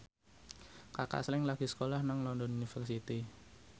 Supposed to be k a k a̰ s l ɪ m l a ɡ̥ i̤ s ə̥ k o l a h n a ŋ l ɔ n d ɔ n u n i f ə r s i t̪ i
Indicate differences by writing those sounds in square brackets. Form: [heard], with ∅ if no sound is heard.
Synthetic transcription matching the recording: k a k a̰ s l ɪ [ŋ] l a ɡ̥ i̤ s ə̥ k o l a h n a ŋ l ɔ n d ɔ n u n i f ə r s i t̪ i